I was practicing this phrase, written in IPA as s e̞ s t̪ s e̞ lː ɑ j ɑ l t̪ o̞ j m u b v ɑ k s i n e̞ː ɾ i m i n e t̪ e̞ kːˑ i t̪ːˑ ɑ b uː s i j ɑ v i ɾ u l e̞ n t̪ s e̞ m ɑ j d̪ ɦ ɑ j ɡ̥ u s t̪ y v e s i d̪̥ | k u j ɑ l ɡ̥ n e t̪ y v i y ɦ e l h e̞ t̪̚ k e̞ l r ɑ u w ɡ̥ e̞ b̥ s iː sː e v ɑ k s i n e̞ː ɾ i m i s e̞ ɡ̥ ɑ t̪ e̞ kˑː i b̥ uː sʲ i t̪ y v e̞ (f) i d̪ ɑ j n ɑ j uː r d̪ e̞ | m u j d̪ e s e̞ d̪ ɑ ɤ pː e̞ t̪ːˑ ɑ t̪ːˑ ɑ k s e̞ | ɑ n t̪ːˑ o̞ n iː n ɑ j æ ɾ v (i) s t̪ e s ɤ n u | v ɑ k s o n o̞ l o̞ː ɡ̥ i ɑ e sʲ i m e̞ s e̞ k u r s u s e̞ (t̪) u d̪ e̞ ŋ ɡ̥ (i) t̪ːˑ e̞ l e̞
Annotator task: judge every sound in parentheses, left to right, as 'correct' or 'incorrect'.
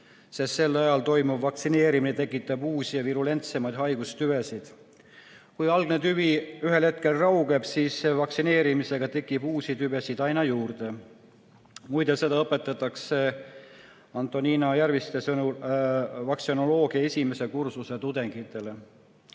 incorrect: s, correct, correct, correct

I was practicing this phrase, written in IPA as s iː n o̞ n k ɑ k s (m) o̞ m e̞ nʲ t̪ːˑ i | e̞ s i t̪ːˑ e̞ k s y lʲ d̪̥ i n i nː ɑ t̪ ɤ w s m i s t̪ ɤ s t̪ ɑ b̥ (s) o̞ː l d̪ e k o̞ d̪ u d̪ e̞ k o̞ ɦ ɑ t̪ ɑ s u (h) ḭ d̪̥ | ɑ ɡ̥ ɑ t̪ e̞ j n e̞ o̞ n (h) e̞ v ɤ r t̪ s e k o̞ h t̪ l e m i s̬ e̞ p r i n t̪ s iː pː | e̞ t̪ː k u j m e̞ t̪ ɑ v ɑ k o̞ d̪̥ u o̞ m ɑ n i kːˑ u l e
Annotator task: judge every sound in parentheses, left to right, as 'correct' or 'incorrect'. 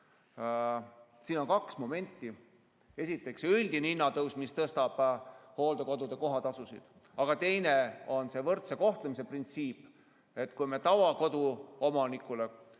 correct, incorrect: h, incorrect: s, incorrect: s

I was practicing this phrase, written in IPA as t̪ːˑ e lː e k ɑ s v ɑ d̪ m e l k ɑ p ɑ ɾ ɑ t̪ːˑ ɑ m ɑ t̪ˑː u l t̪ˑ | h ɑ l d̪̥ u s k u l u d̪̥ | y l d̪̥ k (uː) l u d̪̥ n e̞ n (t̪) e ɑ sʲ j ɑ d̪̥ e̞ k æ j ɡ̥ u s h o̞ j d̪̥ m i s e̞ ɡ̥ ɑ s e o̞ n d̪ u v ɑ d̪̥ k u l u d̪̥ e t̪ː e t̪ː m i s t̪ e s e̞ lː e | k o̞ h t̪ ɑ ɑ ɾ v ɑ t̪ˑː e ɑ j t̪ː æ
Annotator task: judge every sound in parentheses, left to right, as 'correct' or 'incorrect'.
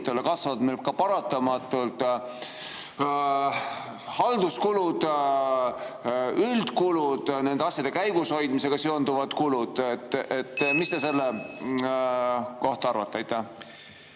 incorrect: u, incorrect: d̪

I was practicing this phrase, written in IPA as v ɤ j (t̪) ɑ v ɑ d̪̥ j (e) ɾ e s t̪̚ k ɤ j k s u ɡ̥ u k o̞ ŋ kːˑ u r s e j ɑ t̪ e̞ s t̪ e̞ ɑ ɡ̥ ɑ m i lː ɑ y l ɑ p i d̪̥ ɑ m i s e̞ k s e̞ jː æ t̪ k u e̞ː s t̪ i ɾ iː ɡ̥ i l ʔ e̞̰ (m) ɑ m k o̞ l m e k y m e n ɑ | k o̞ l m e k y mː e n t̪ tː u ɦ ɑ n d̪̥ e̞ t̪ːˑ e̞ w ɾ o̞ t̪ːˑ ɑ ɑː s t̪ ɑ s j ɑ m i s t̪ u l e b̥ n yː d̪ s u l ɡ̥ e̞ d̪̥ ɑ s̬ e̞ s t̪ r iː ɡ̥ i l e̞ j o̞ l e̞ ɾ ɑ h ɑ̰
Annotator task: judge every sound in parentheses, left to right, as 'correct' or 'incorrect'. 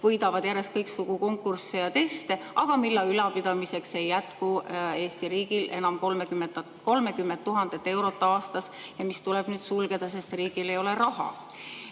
incorrect: d̪, incorrect: æ, incorrect: n

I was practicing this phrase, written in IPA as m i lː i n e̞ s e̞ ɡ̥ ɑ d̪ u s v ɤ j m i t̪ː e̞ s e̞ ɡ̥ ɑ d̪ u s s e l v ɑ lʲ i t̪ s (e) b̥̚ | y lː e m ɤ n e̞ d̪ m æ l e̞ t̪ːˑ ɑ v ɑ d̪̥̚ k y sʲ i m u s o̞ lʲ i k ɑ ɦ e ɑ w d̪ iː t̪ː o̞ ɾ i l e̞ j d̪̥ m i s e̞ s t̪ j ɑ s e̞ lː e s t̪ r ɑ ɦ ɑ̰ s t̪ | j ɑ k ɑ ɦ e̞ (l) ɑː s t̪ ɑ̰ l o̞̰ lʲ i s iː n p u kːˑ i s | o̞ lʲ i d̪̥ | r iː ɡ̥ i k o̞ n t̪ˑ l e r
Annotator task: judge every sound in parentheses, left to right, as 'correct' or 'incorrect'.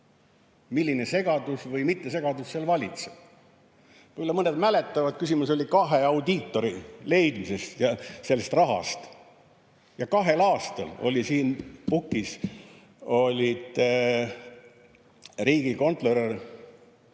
correct, correct

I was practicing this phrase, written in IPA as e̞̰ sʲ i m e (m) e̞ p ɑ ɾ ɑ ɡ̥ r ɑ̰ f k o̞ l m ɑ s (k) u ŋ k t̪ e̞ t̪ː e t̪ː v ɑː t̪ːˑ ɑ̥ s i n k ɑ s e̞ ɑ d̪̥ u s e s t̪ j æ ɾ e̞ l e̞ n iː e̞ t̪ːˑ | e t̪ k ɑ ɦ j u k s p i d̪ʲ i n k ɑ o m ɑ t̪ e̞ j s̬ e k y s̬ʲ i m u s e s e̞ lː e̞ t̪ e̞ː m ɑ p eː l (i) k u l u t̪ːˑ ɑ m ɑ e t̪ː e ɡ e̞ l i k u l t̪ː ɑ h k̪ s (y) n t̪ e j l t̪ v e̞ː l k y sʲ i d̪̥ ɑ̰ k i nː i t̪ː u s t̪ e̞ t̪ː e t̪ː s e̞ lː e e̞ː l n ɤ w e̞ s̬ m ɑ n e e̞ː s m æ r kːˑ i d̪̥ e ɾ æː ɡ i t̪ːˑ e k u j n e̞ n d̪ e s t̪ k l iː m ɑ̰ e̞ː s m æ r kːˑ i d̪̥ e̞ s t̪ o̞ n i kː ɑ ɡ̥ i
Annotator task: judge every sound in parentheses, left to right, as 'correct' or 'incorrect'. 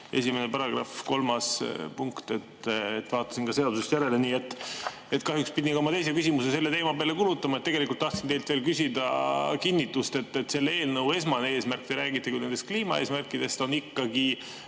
incorrect: n, incorrect: p, incorrect: e, incorrect: i

